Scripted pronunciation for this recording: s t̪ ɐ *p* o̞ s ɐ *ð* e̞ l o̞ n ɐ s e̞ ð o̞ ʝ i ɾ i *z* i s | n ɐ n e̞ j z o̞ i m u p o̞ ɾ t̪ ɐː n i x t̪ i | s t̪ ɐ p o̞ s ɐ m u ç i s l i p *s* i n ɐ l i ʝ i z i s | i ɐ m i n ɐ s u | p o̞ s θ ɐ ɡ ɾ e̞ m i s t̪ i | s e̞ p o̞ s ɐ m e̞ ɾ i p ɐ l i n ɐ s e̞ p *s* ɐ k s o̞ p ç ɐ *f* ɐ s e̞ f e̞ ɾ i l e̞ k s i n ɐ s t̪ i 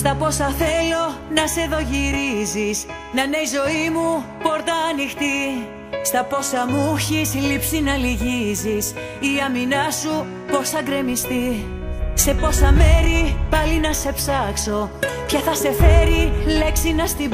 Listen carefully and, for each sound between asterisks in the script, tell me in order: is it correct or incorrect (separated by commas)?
correct, incorrect, correct, correct, correct, incorrect